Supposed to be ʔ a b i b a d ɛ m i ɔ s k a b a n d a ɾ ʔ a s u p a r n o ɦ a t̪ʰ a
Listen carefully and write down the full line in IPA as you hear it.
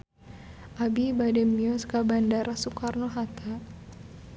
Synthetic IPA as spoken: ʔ a b i b a d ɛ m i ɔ s k a b a n d a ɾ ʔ a s u k a r n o ɦ a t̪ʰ a